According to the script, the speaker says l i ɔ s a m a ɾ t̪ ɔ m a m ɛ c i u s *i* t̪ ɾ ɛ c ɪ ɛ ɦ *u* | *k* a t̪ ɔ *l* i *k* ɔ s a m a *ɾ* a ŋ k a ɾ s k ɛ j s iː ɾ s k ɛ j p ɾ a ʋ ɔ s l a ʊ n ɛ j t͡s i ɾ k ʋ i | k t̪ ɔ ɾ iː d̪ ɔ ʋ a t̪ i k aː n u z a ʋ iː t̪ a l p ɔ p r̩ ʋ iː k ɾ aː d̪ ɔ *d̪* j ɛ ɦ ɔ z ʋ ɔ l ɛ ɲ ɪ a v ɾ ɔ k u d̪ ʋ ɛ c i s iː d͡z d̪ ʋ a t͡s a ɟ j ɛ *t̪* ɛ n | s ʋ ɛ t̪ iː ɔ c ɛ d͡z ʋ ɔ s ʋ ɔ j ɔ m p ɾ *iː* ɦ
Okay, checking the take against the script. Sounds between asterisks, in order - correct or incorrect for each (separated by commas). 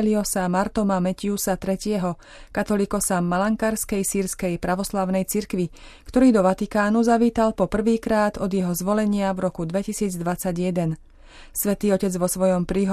incorrect, incorrect, correct, correct, correct, incorrect, correct, incorrect, correct